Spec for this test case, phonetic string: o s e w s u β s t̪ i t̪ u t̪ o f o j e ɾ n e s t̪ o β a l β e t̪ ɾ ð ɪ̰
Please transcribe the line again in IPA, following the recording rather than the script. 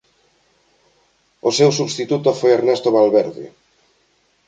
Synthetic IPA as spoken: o s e w s u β s t̪ i t̪ u t̪ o f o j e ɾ n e s t̪ o β a l β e ɾ ð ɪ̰